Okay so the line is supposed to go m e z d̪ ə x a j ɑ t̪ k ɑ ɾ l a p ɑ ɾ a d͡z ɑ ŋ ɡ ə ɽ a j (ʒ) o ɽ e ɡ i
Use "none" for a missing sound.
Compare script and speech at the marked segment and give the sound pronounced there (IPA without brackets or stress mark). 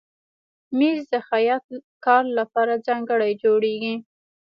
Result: d͡ʒ